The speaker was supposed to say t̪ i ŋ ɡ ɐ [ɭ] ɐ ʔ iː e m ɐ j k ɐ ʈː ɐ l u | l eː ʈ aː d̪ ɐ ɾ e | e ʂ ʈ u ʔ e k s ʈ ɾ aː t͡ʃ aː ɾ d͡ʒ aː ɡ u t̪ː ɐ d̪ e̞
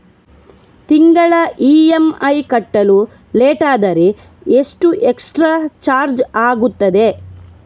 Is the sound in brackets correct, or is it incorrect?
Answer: correct